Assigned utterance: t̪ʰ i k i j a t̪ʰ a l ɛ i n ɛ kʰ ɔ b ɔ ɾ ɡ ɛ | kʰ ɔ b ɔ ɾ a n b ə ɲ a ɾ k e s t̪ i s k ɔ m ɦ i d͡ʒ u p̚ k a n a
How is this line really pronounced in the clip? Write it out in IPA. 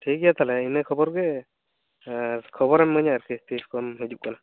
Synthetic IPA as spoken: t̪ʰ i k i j a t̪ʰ a l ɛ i n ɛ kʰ ɔ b ɔ ɾ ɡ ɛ | kʰ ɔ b ɔ ɾ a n m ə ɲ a ɾ k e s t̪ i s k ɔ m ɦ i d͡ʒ u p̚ k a n a